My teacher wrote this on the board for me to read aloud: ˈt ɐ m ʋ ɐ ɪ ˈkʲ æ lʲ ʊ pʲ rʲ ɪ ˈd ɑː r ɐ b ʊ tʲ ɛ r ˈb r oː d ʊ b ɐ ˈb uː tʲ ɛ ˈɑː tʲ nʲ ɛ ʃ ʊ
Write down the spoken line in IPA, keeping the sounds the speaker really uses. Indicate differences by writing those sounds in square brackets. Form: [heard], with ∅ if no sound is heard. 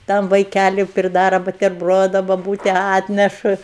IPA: ˈt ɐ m ʋ ɐ ɪ ˈkʲ æ lʲ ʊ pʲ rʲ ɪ ˈd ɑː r ɐ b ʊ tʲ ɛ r ˈb r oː d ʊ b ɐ ˈb uː tʲ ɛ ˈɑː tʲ nʲ ɛ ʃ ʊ